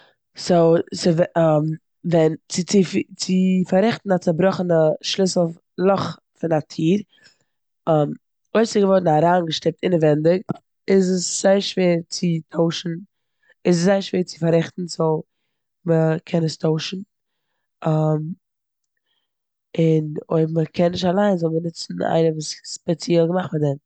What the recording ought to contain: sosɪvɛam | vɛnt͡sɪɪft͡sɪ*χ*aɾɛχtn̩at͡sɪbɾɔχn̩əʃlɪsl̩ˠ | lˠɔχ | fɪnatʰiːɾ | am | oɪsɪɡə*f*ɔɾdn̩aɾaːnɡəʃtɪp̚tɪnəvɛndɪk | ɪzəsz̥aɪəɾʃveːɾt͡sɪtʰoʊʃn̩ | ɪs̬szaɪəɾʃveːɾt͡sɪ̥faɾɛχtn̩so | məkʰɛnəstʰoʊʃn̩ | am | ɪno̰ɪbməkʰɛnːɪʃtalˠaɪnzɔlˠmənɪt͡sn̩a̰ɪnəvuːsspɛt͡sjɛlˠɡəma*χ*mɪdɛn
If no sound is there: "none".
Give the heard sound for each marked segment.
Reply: f, v, χ

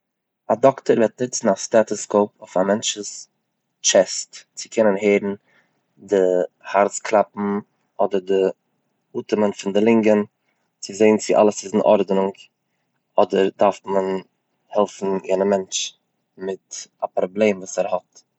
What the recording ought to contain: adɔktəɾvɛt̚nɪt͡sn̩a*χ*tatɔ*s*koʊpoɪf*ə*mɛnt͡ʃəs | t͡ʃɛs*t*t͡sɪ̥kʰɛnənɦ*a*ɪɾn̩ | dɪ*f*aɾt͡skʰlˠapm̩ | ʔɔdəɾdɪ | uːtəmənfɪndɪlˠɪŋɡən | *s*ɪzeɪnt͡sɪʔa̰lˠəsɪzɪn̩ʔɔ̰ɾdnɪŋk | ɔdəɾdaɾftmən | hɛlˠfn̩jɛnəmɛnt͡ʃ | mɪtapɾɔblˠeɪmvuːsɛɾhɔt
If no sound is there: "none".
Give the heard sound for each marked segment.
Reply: s, s, a, t, e, h, t͡s

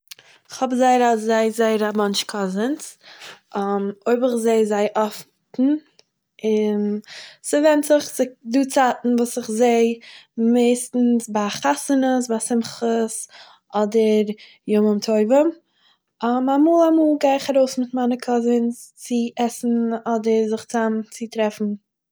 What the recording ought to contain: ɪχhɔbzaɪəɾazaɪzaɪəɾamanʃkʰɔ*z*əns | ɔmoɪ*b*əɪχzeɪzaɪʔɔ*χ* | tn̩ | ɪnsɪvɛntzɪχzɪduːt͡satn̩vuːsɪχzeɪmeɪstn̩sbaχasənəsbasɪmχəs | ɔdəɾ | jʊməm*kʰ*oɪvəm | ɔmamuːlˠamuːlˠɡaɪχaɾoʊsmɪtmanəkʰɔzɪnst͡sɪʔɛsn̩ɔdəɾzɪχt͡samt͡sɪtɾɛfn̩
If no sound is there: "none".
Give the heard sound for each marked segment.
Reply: z, b, f, tʰ

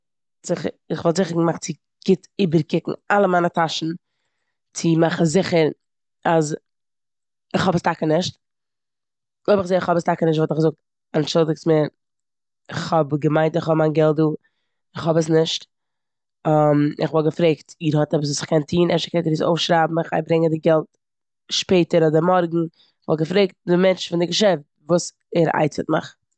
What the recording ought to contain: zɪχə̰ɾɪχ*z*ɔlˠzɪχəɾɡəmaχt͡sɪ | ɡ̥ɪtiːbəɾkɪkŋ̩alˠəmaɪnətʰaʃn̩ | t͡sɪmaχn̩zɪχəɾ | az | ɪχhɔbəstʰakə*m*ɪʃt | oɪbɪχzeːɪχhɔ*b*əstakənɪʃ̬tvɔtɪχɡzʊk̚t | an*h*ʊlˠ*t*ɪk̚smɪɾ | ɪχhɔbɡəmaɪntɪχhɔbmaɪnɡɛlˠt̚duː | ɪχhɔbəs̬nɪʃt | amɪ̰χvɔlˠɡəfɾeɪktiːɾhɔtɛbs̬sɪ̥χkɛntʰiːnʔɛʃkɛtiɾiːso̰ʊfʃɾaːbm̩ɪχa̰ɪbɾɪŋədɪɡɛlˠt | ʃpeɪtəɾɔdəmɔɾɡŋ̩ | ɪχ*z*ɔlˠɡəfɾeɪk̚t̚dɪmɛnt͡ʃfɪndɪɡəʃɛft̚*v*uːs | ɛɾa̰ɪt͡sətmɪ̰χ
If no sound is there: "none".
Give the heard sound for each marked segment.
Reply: v, n, b, ʃ, d, v, v

